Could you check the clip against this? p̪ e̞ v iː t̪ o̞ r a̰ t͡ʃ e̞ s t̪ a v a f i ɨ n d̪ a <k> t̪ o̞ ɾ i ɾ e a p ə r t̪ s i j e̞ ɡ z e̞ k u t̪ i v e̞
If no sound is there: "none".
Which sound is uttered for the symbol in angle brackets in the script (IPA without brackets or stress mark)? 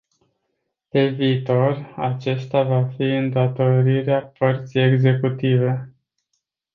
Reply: none